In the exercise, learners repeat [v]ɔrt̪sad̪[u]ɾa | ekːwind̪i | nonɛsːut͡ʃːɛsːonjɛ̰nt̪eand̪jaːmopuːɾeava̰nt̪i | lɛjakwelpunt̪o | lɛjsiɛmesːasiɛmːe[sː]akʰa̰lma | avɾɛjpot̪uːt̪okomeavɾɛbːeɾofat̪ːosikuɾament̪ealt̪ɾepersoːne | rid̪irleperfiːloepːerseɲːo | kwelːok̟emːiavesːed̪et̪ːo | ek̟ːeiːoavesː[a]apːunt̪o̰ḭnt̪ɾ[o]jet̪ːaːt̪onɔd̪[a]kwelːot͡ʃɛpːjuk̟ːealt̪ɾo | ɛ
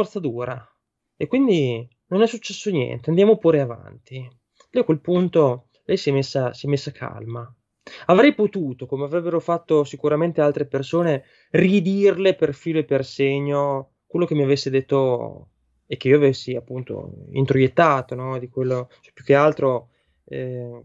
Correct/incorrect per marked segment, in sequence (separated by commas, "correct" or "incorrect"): incorrect, incorrect, correct, incorrect, correct, incorrect